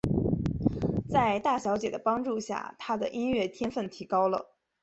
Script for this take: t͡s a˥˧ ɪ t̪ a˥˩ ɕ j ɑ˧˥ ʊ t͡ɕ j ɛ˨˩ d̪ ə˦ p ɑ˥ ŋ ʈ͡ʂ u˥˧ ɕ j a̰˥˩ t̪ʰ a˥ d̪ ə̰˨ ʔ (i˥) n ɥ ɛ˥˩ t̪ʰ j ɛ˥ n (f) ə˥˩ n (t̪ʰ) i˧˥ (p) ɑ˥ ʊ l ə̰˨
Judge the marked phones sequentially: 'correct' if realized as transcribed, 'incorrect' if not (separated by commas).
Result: correct, correct, correct, incorrect